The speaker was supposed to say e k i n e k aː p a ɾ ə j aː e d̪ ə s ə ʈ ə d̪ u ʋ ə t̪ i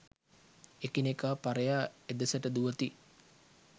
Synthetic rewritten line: e k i n e k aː p a ɾ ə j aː e d̪ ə s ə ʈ ə d̪ u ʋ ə t̪ i